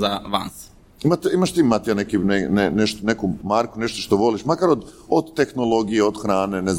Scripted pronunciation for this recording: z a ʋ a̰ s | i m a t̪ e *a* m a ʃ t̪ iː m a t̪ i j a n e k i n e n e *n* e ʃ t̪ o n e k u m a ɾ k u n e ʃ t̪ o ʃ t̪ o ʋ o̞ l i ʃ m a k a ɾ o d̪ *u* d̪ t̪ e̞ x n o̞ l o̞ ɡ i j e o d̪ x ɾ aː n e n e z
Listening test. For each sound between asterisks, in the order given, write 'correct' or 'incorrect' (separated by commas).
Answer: incorrect, correct, incorrect